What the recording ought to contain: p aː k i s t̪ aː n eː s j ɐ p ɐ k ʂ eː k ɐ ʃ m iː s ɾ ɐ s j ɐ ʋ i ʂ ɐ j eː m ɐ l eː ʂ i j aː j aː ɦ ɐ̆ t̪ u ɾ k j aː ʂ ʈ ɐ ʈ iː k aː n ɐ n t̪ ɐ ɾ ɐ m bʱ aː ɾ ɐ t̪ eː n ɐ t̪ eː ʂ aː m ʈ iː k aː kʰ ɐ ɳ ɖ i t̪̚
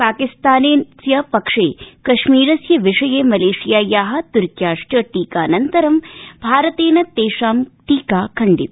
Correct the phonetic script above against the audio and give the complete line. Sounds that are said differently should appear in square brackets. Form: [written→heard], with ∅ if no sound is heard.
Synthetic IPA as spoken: p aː k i s t̪ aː n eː s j ɐ p ɐ k ʂ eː k ɐ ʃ m iː [s→∅] ɾ ɐ s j ɐ ʋ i ʂ ɐ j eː m ɐ l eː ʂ i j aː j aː ɦ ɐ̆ t̪ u ɾ k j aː ʂ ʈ ɐ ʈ iː k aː n ɐ n t̪ ɐ ɾ ɐ m bʱ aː ɾ ɐ t̪ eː n ɐ t̪ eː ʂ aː m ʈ iː k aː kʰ ɐ ɳ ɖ i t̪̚